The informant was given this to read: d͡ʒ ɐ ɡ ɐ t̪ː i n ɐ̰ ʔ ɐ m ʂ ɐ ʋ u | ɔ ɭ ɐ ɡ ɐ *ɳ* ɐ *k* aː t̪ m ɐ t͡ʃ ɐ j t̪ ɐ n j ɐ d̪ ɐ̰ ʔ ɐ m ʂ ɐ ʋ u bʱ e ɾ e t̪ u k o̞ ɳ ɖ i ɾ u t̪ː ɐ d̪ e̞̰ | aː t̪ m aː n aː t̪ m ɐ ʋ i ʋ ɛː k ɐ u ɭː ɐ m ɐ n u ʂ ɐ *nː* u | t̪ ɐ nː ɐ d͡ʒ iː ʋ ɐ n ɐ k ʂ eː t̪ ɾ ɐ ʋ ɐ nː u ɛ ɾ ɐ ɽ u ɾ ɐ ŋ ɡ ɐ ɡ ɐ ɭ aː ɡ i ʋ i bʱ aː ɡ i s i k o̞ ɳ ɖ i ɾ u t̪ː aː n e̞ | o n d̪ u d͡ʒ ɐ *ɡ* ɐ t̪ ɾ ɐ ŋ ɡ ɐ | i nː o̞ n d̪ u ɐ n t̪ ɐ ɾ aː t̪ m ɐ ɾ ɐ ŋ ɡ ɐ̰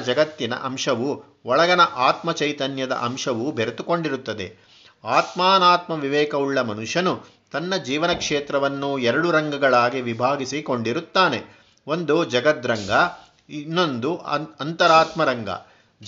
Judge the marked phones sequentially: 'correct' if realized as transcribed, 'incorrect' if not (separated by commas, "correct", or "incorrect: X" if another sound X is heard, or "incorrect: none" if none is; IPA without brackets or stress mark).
incorrect: n, incorrect: ʔ, incorrect: n, correct